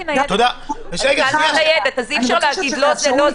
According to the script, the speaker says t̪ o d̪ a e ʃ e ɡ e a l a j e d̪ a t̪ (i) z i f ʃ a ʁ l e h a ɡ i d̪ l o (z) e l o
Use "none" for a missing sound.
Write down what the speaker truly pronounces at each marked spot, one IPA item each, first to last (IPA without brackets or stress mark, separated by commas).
a, z